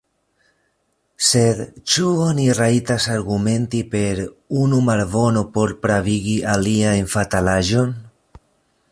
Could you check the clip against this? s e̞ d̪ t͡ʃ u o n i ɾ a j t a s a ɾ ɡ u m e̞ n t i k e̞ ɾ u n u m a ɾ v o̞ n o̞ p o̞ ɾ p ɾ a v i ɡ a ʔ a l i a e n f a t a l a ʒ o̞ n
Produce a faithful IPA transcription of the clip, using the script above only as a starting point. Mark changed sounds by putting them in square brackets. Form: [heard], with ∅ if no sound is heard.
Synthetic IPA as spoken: s e̞ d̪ t͡ʃ u o n i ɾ a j t a s a ɾ ɡ u m e̞ n t i [p] e̞ ɾ u n u m a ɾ v o̞ n o̞ p o̞ ɾ p ɾ a v i ɡ [i] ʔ a l i a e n f a t a l a ʒ o̞ n